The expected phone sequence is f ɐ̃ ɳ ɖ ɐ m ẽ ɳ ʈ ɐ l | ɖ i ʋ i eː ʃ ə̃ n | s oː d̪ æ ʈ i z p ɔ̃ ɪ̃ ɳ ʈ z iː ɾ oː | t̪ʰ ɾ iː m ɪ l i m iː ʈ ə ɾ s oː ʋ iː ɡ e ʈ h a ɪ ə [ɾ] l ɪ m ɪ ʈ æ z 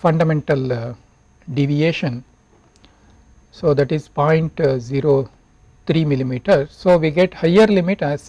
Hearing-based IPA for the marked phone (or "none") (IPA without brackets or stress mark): ɾ